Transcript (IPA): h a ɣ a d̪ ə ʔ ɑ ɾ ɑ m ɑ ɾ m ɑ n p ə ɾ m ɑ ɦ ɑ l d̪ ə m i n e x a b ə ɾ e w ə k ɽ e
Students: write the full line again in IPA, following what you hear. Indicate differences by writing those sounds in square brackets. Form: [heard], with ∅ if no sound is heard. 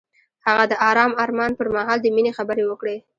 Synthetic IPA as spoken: h a ɣ a d̪ ə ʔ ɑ ɾ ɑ m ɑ ɾ m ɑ n p ə ɾ m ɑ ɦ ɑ l d̪ ə m i n e x a b ə ɾ e w ə k ɽ e